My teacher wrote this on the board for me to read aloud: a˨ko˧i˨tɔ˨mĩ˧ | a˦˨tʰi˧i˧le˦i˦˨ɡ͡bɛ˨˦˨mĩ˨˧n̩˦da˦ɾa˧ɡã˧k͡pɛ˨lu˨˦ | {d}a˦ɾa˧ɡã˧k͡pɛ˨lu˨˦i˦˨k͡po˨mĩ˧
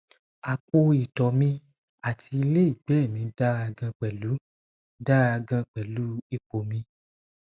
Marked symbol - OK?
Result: yes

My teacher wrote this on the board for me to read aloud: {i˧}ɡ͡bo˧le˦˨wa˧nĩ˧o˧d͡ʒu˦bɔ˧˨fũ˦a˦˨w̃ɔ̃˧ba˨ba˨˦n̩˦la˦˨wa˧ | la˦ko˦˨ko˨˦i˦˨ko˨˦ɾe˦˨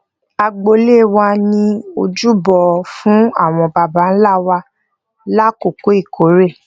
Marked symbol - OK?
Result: no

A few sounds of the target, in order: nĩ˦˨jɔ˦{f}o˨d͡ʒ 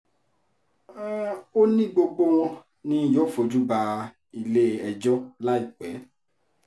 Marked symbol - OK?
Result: yes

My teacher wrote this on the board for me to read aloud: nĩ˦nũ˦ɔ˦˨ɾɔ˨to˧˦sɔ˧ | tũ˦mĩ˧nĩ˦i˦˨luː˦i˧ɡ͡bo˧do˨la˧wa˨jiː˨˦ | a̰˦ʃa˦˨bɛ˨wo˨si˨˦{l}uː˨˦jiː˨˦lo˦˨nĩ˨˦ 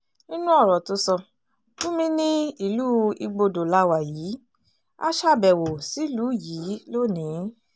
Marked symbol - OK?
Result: yes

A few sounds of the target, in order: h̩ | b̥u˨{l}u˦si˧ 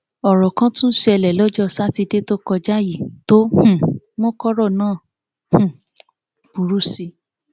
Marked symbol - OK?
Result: no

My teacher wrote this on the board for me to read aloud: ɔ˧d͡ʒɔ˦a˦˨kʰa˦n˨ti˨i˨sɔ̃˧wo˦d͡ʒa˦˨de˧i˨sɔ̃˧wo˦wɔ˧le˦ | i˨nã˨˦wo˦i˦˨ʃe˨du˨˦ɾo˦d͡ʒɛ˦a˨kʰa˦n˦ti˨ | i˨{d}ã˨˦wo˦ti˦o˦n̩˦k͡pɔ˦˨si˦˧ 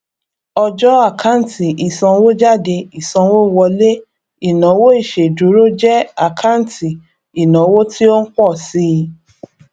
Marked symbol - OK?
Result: no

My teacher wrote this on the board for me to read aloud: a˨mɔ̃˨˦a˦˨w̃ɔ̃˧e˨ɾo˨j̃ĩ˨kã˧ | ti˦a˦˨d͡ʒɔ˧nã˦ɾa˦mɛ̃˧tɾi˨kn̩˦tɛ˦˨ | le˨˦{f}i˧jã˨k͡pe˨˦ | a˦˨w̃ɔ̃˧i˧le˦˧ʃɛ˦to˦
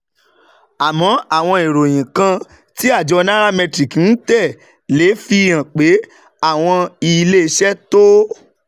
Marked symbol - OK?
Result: yes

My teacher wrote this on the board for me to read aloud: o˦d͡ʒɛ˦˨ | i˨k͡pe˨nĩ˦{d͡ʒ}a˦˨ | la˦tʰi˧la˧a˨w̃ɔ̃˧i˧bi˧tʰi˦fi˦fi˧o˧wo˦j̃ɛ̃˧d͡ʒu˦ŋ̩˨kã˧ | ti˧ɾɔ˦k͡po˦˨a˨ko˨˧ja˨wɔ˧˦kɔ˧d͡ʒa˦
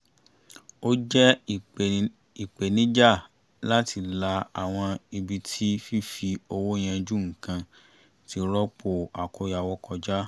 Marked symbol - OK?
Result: yes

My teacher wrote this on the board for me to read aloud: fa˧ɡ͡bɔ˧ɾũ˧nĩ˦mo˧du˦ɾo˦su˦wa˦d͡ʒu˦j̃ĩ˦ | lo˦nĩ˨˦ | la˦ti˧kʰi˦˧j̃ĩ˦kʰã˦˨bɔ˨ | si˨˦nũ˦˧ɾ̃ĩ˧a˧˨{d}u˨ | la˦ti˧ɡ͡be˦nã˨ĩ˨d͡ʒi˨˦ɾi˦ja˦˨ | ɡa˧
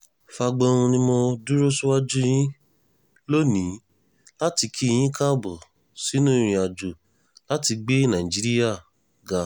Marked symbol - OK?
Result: no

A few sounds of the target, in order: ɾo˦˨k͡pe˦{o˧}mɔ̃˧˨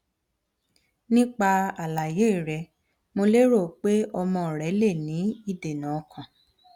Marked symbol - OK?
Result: no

